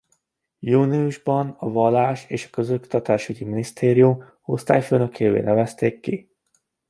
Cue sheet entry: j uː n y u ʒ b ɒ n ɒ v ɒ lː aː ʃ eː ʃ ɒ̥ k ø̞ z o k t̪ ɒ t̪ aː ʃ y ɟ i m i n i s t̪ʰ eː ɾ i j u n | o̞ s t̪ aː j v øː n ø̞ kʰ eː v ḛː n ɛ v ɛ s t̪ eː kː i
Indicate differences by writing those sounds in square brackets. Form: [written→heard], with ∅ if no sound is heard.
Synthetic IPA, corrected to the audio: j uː n [y→i] u ʒ b ɒ n ɒ v ɒ lː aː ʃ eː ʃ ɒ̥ k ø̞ z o k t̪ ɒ t̪ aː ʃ y ɟ i m i n i s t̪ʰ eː ɾ i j u [n→m] | o̞ s t̪ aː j [v→f] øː n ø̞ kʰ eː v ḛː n ɛ v ɛ s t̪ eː kː i